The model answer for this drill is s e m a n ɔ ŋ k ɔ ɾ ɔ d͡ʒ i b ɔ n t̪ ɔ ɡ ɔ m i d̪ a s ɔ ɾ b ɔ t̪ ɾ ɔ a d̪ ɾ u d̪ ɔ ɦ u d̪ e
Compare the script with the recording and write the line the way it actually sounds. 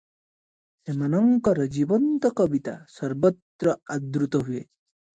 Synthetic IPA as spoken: s e m a n ɔ ŋ k ɔ ɾ ɔ d͡ʒ i b ɔ n t̪ ɔ k ɔ b i t̪ a s ɔ ɾ b ɔ t̪ ɾ ɔ a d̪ ɾ u t̪ ɔ ɦ u e